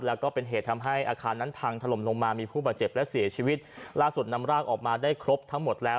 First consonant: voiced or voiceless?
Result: voiced